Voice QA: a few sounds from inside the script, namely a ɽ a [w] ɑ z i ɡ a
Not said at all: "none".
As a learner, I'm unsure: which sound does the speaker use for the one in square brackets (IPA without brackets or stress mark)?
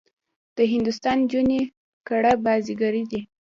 b